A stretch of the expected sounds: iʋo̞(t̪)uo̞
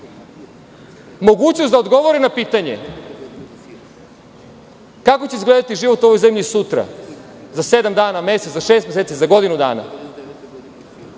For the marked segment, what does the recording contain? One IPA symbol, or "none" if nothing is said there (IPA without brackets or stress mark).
t̪